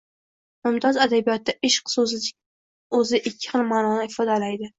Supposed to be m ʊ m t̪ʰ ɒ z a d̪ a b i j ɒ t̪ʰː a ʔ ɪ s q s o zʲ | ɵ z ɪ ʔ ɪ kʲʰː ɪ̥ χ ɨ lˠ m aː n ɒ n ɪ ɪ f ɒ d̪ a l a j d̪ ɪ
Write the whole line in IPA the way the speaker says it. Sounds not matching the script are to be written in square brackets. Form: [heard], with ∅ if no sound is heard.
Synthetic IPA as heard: m ʊ m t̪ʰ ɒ z a d̪ a b i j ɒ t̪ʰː a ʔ ɪ [ʃ] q s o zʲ | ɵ z ɪ ʔ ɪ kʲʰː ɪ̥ χ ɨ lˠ m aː n ɒ n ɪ ɪ f ɒ d̪ a l a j d̪ ɪ